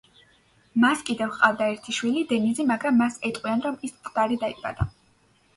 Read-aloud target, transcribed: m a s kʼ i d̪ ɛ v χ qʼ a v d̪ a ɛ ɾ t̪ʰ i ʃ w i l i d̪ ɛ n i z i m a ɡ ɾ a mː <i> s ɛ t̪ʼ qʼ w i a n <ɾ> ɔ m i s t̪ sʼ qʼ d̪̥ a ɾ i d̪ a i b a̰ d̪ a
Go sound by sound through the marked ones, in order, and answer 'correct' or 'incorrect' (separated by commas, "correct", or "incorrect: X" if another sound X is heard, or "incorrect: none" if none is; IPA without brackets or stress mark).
incorrect: a, correct